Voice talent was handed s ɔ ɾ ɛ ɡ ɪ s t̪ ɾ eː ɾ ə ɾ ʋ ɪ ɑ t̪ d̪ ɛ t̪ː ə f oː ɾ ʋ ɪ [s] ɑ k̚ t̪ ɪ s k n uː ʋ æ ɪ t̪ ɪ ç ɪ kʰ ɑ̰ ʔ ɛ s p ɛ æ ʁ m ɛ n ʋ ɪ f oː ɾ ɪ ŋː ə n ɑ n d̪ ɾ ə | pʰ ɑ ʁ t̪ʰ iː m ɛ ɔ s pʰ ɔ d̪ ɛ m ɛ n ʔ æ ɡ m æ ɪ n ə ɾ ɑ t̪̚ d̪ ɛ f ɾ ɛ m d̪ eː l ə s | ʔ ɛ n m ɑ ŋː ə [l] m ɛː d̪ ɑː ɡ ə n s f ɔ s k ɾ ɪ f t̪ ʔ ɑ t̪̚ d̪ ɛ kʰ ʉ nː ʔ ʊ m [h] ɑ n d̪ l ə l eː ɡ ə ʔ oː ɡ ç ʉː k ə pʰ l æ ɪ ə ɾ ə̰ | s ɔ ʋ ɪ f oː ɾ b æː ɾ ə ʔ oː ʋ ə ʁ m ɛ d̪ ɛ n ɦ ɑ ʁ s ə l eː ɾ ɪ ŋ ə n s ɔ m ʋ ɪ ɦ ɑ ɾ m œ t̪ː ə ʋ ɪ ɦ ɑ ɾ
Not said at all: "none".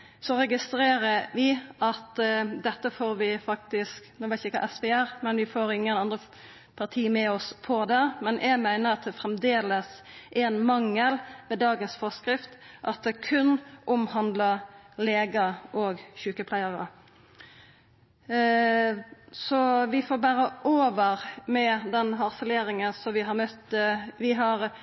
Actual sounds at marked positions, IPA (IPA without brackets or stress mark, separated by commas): f, l, h